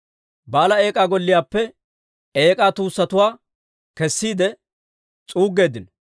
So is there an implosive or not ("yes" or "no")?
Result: no